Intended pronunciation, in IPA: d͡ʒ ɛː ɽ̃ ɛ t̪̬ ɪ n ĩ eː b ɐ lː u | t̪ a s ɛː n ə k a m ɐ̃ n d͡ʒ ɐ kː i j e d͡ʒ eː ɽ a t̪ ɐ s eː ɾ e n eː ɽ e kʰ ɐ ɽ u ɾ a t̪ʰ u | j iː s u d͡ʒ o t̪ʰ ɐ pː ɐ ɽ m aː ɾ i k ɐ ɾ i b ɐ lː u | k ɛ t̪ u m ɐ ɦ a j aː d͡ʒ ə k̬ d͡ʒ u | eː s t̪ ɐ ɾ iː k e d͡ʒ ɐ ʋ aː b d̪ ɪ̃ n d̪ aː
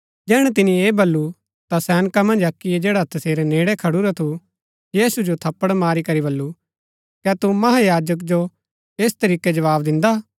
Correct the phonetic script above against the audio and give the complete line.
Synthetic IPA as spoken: d͡ʒ ɛː ɽ̃ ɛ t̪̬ ɪ n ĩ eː b ɐ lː u | t̪ a s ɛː n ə k a m ɐ̃ n d͡ʒ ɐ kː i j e d͡ʒ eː ɽ a t̪ ɐ s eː ɾ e n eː ɽ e kʰ ɐ ɽ u ɾ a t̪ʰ u | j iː s u d͡ʒ o t̪ʰ ɐ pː ə ɽ m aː ɾ i k ɐ ɾ i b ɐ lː u | k ɛ t̪ u m ɐ ɦ a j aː d͡ʒ ə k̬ d͡ʒ o | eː s t̪ ɐ ɾ iː k e d͡ʒ ɐ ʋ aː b d̪ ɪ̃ n d̪ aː